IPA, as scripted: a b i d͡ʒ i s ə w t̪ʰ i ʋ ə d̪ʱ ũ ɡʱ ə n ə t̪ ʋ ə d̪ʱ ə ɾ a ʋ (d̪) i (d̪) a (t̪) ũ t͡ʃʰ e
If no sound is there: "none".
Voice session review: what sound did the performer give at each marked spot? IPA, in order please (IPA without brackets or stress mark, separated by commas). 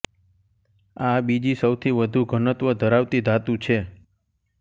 t̪, d̪, t̪